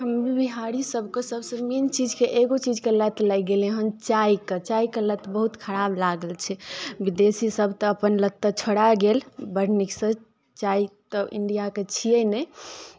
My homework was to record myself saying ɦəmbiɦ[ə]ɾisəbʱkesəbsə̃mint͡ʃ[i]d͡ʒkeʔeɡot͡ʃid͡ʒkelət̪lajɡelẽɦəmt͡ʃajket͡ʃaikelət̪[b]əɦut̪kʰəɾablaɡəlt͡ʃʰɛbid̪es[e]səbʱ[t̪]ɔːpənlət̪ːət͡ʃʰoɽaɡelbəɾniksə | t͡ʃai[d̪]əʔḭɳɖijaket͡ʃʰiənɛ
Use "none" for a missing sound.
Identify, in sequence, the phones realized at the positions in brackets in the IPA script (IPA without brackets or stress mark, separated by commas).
a, i, b, i, t̪, t̪